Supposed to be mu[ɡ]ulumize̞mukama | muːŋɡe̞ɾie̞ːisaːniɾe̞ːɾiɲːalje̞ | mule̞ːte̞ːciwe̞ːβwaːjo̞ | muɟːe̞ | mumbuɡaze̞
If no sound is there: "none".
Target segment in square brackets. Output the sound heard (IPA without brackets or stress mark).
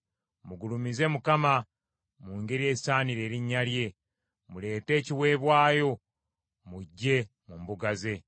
ɡ